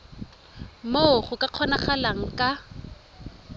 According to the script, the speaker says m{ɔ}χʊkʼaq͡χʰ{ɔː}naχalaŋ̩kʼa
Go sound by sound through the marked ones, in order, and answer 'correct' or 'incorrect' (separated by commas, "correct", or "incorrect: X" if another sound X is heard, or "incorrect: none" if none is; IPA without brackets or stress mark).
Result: incorrect: o, incorrect: ɔ